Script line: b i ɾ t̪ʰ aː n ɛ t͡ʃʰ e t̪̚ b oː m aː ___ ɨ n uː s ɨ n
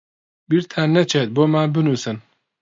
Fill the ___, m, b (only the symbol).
b